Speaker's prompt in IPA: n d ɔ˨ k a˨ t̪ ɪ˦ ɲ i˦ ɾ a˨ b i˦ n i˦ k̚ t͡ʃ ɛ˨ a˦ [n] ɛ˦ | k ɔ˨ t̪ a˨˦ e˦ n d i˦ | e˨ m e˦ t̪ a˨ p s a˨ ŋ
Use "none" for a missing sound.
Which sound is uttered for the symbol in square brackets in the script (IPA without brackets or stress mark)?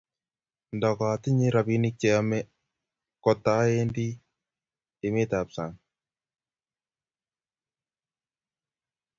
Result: m